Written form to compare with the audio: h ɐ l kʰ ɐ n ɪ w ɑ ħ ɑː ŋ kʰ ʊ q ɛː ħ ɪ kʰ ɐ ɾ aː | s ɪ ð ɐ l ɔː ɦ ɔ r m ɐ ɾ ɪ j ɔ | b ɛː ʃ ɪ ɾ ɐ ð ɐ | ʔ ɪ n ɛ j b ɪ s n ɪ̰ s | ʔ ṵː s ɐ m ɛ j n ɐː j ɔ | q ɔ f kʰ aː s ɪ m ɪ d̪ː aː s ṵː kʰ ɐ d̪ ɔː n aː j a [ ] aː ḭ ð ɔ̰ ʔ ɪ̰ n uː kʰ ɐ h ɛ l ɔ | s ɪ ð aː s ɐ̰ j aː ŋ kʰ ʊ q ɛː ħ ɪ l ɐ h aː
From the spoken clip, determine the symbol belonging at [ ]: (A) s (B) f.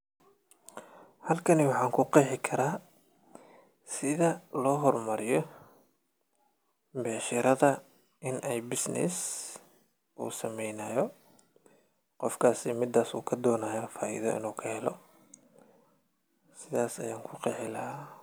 B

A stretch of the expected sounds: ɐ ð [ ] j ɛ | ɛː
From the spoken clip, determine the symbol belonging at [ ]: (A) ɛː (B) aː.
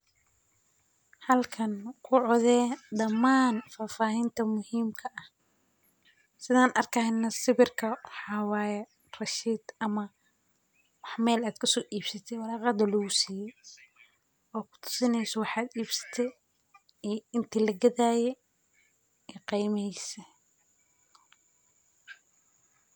B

